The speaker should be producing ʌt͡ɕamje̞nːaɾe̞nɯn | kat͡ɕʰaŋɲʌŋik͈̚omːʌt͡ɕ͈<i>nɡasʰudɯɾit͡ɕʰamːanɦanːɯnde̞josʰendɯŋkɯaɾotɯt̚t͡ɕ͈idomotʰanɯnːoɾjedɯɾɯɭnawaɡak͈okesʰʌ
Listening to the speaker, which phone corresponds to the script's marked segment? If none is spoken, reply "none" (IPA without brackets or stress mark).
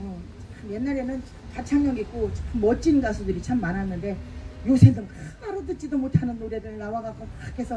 i